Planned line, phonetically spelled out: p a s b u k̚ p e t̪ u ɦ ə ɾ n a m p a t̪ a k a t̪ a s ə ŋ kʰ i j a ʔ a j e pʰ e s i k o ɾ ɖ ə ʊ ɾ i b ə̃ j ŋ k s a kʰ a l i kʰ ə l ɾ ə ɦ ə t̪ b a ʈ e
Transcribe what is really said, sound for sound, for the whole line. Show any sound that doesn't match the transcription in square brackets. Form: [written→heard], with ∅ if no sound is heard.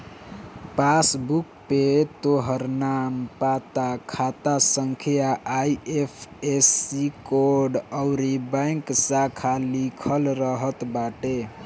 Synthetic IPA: p a s b u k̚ p e t̪ [u→o] ɦ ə ɾ n a m p a t̪ a [k→kʰ] a t̪ a s ə ŋ kʰ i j a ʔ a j e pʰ e s i k o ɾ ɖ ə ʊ ɾ i b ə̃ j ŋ k s a kʰ a l i kʰ ə l ɾ ə ɦ ə t̪ b a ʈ e

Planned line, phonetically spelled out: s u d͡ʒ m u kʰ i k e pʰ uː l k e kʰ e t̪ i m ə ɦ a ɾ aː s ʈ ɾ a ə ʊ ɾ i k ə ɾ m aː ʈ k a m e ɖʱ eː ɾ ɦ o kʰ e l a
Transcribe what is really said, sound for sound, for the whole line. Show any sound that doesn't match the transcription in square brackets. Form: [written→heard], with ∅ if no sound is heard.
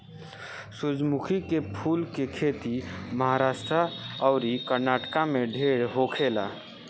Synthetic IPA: s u d͡ʒ m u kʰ i k e pʰ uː l k e kʰ e t̪ i m ə ɦ a ɾ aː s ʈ ɾ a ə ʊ ɾ i k ə ɾ [m→n] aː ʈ k a m e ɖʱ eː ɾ ɦ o kʰ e l a

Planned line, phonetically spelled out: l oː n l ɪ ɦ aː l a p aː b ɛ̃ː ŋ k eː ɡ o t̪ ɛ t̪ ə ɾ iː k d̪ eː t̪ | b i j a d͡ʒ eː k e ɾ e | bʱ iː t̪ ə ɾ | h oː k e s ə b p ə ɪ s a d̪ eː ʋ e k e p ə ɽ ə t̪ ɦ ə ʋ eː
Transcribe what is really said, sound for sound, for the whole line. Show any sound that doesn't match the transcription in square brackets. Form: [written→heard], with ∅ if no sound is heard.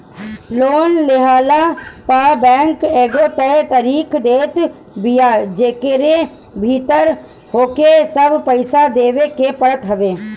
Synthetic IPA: l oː n l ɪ ɦ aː l a p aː b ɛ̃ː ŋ k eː ɡ o t̪ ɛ t̪ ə ɾ iː k d̪ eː t̪ | b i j a d͡ʒ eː k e ɾ e | bʱ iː t̪ ə ɾ | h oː k e s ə b p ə ɪ s a d̪ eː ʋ e k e p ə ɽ ə t̪ ɦ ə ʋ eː

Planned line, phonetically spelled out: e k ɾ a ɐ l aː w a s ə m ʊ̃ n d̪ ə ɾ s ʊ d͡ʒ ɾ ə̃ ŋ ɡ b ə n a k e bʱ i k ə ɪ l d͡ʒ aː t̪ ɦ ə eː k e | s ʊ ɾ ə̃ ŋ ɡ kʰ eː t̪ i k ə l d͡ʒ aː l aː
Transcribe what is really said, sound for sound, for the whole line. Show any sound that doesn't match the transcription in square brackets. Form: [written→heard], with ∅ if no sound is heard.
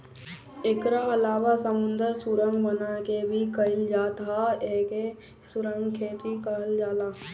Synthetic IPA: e k ɾ a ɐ l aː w a s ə m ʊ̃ n d̪ ə ɾ s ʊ [d͡ʒ→∅] ɾ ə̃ ŋ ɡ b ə n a k e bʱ i k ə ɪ l d͡ʒ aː t̪ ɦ [ə→a] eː k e | s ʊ ɾ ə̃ ŋ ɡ kʰ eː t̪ i k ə l d͡ʒ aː l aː

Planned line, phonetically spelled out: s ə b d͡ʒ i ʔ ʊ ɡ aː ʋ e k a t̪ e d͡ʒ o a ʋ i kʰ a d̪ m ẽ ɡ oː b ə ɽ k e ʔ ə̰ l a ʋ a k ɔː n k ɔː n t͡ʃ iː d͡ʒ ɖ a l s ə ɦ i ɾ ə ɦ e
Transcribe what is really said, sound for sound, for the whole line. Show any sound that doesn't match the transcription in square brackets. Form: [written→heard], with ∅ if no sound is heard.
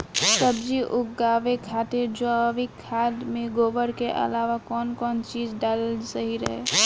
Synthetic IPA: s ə b d͡ʒ i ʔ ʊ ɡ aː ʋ e [k→kʰ] a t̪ e d͡ʒ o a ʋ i kʰ a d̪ m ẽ ɡ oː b ə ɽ k e ʔ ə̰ l a ʋ a k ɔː n k ɔː n t͡ʃ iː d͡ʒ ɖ a l s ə ɦ i ɾ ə ɦ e

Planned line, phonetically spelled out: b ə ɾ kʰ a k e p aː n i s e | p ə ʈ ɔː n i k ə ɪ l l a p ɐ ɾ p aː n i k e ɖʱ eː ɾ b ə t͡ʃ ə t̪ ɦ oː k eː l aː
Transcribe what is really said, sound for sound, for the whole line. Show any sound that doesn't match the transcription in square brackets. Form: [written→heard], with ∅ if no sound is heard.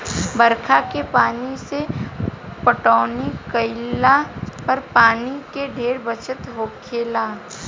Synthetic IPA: b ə ɾ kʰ a k e p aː n i s e | p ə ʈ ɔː n i k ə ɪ l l a p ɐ ɾ p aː n i k e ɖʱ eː ɾ b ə t͡ʃ ə t̪ ɦ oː [k→kʰ] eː l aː

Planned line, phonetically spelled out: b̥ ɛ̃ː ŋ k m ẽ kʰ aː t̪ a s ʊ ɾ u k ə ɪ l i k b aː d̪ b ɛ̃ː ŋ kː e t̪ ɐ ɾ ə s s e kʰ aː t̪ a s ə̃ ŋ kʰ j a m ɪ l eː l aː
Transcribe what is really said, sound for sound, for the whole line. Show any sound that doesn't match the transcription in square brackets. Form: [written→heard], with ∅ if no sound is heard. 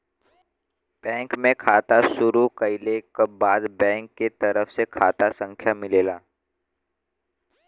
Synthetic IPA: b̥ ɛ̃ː ŋ k m ẽ kʰ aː t̪ a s ʊ ɾ u k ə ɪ l [i→e] k b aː d̪ b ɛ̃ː ŋ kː e t̪ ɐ ɾ ə [s→f] s e kʰ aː t̪ a s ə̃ ŋ kʰ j a m ɪ l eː l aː

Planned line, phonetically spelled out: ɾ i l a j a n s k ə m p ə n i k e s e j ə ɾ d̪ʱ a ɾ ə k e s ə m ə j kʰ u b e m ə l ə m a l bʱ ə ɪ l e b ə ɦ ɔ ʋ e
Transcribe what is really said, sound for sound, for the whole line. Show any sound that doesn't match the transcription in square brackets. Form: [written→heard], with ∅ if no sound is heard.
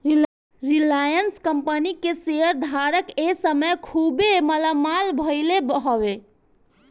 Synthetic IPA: ɾ i l a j [a→ə] n s k ə m p ə n i k e s e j ə ɾ d̪ʱ a ɾ ə k e s ə m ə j kʰ u b e m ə l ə m a l bʱ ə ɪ l e b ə ɦ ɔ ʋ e

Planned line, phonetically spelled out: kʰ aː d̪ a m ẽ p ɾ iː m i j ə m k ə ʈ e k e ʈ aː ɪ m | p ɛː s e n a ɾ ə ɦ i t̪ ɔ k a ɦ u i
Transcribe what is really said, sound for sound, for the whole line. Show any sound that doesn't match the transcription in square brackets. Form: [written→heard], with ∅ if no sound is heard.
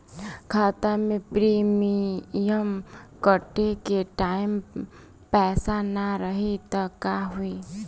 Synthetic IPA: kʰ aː [d̪→t̪] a m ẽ p ɾ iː m i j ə m k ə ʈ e k e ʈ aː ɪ m | p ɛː s [e→a] n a ɾ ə ɦ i t̪ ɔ k a ɦ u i

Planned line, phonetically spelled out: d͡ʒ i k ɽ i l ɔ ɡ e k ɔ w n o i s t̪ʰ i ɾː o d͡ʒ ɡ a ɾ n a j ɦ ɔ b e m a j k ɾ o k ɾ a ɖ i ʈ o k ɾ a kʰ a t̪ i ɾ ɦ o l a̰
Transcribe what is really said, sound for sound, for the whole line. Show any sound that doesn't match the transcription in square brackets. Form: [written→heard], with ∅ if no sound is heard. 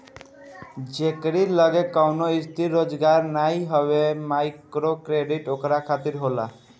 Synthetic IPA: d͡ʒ [i→e] k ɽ i l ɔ ɡ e k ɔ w n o i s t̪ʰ i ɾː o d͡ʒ ɡ a ɾ n a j ɦ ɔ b e m a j k ɾ o k ɾ [a→e] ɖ i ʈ o k ɾ a kʰ a t̪ i ɾ ɦ o l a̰

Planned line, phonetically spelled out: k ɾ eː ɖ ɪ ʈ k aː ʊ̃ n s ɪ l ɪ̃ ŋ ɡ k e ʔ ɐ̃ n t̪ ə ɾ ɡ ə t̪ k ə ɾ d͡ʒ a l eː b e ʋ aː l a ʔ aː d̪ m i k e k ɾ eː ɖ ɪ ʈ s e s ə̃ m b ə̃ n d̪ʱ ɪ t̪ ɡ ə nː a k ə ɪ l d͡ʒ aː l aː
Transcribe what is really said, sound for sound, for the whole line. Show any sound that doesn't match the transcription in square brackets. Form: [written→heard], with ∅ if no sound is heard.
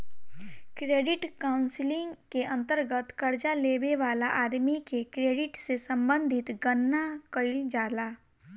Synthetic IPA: k ɾ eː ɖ ɪ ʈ k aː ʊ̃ n s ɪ l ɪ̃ ŋ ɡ k e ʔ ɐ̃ n t̪ ə ɾ ɡ ə t̪ k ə ɾ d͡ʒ a l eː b e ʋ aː l a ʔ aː d̪ m i k e k ɾ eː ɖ ɪ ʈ s e s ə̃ m b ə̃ n d̪ʱ ɪ t̪ ɡ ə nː a k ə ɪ l d͡ʒ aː l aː

